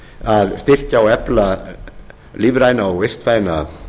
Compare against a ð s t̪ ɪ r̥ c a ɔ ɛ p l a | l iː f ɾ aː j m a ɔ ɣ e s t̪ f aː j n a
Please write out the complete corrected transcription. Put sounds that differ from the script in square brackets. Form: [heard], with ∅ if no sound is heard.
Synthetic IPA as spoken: a ð s t̪ ɪ r̥ c a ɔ ɛ p l a | l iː [v] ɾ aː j [n] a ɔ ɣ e s t̪ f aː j n a